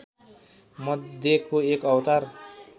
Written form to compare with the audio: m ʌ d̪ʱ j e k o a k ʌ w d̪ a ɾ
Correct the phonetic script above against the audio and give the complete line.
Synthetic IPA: m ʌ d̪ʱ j e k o e k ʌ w t̪ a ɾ

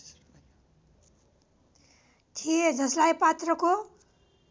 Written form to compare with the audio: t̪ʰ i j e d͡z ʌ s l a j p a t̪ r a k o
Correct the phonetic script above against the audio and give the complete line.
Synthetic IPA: t̪ʰ i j e d͡z ʌ s l a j p a t̪ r ʌ k o

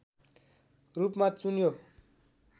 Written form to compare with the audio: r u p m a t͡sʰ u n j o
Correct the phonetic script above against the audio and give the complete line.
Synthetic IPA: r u p m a t͡s u n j o

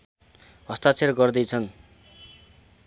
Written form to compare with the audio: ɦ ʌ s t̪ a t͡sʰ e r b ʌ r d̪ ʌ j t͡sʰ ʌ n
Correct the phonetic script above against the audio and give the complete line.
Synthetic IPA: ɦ ʌ s t̪ a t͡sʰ e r ɡ ʌ r d̪ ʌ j t͡sʰ ʌ n

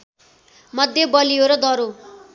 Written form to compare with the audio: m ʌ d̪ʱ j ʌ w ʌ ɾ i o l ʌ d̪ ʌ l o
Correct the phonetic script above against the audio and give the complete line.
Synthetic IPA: m ʌ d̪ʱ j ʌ b ʌ l i o ɾ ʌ d̪ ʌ ɾ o

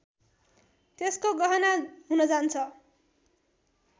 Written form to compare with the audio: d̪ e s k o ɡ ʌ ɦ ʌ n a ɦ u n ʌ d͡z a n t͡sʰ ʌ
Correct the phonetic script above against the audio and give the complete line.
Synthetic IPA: t̪ e s k o ɡ ʌ ɦ ʌ n a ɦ u n ʌ d͡z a n t͡sʰ ʌ

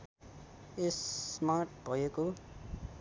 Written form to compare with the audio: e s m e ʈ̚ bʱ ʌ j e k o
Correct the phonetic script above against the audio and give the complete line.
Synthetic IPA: e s m a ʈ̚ bʱ ʌ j e k o

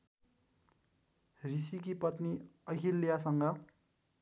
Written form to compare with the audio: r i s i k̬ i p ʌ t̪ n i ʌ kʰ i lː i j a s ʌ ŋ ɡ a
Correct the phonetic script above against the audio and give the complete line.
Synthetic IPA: r i s i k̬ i p ʌ t̪ n i ʌ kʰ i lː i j a s ʌ ŋ ɡ ʌ

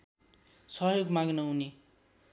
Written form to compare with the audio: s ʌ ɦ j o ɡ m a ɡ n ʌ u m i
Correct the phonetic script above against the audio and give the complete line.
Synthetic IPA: s ʌ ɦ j o ɡ m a ɡ n ʌ u n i

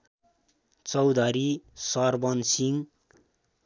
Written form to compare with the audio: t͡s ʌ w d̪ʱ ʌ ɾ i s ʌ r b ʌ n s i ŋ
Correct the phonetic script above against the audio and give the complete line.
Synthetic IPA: t͡s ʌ w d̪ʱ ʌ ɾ i s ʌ r b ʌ n s i ŋ

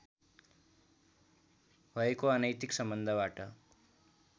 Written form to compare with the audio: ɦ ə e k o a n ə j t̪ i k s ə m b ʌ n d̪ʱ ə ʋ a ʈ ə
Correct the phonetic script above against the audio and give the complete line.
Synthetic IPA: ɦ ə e k o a n ə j t̪ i k s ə m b ə n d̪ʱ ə ʋ a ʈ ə

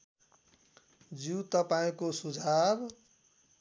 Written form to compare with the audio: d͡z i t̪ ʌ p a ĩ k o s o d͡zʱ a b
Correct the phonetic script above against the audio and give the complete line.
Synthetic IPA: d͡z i t̪ ʌ p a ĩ k o s u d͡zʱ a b

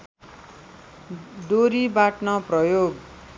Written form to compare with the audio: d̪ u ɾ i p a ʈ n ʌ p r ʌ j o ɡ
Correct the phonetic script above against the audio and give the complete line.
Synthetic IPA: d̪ o ɾ i b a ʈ n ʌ p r ʌ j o ɡ

